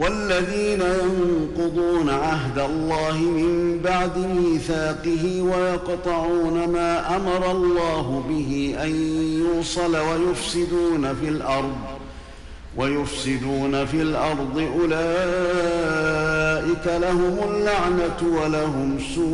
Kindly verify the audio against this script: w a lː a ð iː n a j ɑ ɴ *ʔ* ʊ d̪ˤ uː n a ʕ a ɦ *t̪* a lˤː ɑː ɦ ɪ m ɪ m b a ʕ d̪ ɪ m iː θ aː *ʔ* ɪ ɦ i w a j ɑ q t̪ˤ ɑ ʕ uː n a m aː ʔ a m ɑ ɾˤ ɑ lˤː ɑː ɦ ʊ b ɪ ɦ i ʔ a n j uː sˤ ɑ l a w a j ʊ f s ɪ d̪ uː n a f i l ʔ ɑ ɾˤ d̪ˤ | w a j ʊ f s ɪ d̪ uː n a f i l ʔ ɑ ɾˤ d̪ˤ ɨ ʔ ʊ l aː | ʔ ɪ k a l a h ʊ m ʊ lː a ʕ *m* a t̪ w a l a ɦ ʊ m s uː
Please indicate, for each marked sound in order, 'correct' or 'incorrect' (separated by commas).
incorrect, incorrect, incorrect, incorrect